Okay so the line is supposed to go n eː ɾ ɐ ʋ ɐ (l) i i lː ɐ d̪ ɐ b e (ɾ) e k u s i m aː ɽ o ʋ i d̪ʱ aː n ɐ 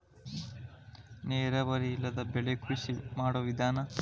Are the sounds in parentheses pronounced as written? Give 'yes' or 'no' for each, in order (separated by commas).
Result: no, no